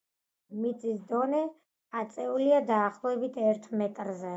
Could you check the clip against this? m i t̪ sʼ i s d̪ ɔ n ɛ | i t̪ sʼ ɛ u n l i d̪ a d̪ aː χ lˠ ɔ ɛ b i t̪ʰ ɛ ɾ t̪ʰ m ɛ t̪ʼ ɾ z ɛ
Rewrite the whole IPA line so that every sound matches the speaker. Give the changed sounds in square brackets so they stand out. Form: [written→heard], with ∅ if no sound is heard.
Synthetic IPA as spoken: m i t̪ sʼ i s d̪ ɔ n ɛ | [i→a] t̪ sʼ ɛ u [n→∅] l i [d̪→∅] a d̪ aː χ lˠ ɔ ɛ b i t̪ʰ ɛ ɾ t̪ʰ m ɛ t̪ʼ ɾ z ɛ